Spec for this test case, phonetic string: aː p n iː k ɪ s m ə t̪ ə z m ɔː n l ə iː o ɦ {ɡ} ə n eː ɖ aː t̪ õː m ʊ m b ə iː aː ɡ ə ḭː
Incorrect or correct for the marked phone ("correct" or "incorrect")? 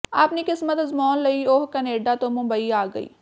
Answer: incorrect